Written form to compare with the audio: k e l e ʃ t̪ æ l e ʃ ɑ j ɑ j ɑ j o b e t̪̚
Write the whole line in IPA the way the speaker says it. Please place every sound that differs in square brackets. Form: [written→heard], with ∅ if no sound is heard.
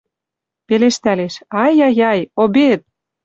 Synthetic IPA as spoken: [k→p] e l e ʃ t̪ æ l e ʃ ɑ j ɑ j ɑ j o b e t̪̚